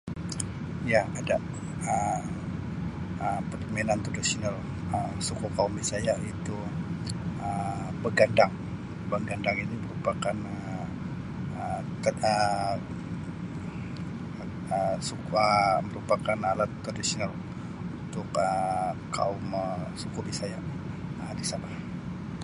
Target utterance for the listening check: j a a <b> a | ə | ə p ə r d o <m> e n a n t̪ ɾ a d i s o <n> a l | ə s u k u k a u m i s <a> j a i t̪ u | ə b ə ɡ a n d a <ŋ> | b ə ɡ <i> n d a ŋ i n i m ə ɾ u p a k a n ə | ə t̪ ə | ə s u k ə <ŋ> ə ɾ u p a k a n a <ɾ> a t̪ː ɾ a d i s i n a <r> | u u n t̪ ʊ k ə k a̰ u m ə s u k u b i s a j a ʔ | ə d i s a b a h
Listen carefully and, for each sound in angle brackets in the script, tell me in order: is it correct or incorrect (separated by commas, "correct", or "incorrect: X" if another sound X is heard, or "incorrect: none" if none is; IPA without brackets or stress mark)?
incorrect: d, correct, correct, correct, correct, incorrect: a, incorrect: m, incorrect: l, incorrect: l